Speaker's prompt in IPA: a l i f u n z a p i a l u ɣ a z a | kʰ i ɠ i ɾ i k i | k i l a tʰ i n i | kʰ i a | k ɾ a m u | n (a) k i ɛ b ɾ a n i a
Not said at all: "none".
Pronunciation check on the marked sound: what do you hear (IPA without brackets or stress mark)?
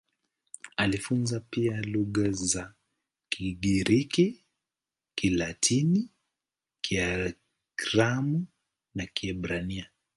a